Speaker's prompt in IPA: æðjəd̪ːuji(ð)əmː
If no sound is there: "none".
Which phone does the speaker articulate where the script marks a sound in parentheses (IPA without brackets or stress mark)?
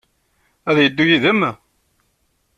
ð